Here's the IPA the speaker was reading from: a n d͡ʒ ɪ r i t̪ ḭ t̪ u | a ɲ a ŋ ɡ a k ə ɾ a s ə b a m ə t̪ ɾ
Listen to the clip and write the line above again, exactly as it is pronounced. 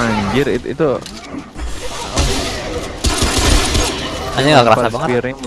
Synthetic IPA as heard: a ɲ d͡ʒ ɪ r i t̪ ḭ t̪ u | a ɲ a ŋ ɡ a k ə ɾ a s a b a ŋ ə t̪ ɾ